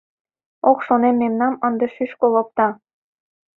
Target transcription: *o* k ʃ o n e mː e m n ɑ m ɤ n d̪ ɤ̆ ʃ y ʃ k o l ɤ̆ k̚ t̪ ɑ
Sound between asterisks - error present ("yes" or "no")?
no